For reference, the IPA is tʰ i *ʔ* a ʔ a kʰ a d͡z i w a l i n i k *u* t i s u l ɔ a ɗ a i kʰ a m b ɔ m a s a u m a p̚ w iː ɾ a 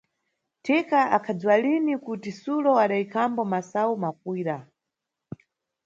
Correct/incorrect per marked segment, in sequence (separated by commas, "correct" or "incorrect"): incorrect, correct